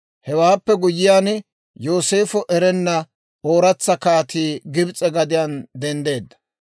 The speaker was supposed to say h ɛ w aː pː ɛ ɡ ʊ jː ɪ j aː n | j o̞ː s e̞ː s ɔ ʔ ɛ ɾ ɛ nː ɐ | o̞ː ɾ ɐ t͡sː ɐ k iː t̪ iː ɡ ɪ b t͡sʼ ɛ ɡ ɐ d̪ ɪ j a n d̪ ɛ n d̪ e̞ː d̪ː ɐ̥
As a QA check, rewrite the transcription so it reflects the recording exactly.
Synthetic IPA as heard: h ɛ w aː pː ɛ ɡ ʊ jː ɪ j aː n | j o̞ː s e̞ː f ɔ ʔ ɛ ɾ ɛ nː ɐ | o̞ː ɾ ɐ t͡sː ɐ k aː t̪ iː ɡ ɪ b t͡sʼ ɛ ɡ ɐ d̪ ɪ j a n d̪ ɛ n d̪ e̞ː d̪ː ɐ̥